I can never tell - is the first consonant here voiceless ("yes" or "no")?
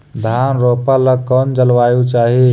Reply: no